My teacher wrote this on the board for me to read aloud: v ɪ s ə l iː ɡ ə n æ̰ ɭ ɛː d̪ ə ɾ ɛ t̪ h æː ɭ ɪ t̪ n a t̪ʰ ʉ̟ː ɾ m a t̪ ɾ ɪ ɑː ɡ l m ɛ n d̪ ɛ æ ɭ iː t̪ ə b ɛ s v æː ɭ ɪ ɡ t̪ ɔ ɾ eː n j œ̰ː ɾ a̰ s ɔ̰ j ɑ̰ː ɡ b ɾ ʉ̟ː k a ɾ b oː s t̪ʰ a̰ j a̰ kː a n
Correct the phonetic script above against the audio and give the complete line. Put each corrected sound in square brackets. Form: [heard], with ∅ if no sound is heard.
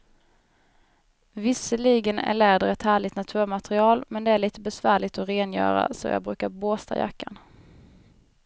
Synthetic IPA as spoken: v ɪ s ə l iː ɡ ə n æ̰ ɭ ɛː d̪ ə ɾ ɛ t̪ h æː ɭ ɪ t̪ n a t̪ʰ ʉ̟ː ɾ m a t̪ ɾ ɪ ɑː [∅] l m ɛ n d̪ ɛ æ ɭ iː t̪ ə b ɛ s v æː ɭ ɪ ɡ t̪ ɔ ɾ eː n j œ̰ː ɾ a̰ s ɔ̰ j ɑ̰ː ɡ b ɾ ʉ̟ː k a ɾ b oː s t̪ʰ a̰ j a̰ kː a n

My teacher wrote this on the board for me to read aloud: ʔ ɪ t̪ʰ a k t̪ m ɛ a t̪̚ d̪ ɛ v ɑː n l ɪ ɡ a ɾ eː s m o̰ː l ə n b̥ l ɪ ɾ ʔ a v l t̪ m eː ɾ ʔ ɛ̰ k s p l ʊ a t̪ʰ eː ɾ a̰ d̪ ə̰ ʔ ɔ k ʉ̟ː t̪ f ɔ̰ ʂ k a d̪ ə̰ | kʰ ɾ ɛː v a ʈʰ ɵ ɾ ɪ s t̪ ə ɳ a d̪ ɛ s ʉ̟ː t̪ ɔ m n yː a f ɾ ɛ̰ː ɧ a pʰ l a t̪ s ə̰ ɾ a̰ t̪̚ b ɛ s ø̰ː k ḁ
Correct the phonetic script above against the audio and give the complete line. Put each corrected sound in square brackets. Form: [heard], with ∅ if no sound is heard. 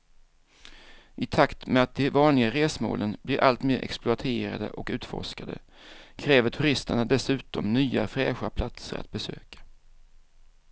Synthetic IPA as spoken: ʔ ɪ t̪ʰ a k t̪ m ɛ a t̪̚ d̪ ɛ v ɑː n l ɪ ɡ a ɾ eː s m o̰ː l ə n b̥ l ɪ ɾ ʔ a [∅] l t̪ m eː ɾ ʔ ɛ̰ k s p l ʊ a t̪ʰ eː ɾ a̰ d̪ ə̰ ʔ ɔ k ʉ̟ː t̪ f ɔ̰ ʂ k a d̪ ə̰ | kʰ ɾ ɛː v [ə] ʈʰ ɵ ɾ ɪ s t̪ ə ɳ a d̪ ɛ s ʉ̟ː t̪ ɔ m n yː a f ɾ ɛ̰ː ɧ a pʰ l a t̪ s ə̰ ɾ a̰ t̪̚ b ɛ s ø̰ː k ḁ

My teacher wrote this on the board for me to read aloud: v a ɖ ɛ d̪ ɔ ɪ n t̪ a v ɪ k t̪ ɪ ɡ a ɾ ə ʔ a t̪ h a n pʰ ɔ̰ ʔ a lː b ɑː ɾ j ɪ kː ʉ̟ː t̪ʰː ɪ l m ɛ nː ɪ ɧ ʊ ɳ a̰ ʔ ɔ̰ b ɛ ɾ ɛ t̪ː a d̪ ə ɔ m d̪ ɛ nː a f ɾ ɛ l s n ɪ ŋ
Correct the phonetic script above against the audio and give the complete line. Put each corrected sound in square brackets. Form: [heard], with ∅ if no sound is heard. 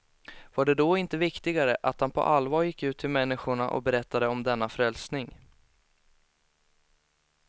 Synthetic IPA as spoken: v a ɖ ɛ d̪ ɔ ɪ n t̪ [ə] v ɪ k t̪ ɪ ɡ a ɾ ə ʔ a t̪ h a n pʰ ɔ̰ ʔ a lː [v] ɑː ɾ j ɪ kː ʉ̟ː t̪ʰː ɪ l m ɛ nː ɪ ɧ ʊ ɳ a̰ ʔ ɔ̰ b ɛ ɾ ɛ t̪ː a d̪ ə ɔ m d̪ ɛ nː a f ɾ ɛ l s n ɪ ŋ

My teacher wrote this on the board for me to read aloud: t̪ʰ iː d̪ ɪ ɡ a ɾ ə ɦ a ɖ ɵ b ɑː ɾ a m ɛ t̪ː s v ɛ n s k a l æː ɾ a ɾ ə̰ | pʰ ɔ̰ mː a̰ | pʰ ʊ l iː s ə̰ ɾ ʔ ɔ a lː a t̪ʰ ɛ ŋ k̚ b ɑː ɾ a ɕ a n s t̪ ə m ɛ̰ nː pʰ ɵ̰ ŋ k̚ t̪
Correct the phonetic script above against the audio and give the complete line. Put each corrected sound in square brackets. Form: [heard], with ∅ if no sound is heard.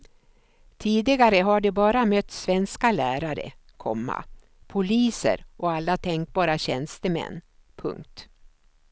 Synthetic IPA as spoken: t̪ʰ iː d̪ ɪ ɡ a ɾ ə ɦ a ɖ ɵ b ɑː ɾ a m [œ] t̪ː s v ɛ n s k a l æː ɾ a ɾ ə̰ | [kʰ] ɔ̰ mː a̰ | pʰ ʊ l iː s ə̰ ɾ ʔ ɔ a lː a t̪ʰ ɛ ŋ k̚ b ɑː ɾ a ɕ [ɛ] n s t̪ ə m ɛ̰ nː pʰ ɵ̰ ŋ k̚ t̪

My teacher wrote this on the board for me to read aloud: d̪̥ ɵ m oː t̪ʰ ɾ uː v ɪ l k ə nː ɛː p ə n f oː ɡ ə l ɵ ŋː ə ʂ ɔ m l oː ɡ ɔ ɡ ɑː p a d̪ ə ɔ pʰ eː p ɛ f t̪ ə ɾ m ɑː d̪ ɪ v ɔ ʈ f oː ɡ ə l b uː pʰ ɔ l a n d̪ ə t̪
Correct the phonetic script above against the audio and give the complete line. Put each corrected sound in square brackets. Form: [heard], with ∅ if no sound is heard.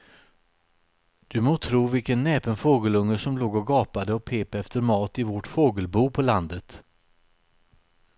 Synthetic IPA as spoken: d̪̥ ɵ m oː t̪ʰ ɾ uː v ɪ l k ə nː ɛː p ə n f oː ɡ ə l ɵ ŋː ə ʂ ɔ m l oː ɡ ɔ ɡ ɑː p a d̪ ə ɔ pʰ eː p ɛ f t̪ ə ɾ m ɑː [t̪] ɪ v ɔ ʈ f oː ɡ ə l b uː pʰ ɔ l a n d̪ ə t̪

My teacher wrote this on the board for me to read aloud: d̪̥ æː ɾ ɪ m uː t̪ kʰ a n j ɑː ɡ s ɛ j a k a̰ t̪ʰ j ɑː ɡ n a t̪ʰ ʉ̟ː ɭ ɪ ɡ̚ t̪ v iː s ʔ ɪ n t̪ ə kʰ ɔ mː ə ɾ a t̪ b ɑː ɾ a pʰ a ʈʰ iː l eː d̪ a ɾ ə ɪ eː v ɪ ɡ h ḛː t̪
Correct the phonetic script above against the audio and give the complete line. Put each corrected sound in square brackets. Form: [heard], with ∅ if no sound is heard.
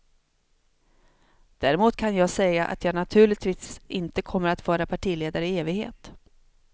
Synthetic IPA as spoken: d̪̥ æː ɾ ɪ m uː t̪ kʰ a n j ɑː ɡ s ɛ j a [ʔ] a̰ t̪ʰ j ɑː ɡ n a t̪ʰ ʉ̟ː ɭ ɪ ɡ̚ t̪ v iː s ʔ ɪ n t̪ ə kʰ ɔ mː ə ɾ a t̪ [v] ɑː ɾ a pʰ a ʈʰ iː l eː d̪ a ɾ ə ɪ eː v ɪ ɡ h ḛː t̪

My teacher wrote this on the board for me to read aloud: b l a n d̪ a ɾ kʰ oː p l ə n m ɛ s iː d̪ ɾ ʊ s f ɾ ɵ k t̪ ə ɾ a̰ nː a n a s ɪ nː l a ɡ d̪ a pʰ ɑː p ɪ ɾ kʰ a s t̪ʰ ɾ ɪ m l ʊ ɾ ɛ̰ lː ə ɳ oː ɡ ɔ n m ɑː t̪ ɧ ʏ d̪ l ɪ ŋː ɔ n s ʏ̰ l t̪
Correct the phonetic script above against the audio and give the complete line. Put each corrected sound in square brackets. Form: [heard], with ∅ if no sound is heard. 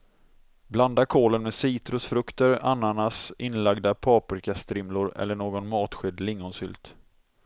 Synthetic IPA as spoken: b l a n d̪ a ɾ kʰ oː [∅] l ə n m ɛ s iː [t̪] ɾ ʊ s f ɾ ɵ k t̪ ə ɾ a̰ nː a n a s ɪ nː l a ɡ d̪ a pʰ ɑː p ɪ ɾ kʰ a s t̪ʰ ɾ ɪ m l ʊ ɾ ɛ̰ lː ə ɳ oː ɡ ɔ n m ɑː t̪ ɧ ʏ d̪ l ɪ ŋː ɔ n s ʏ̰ l t̪

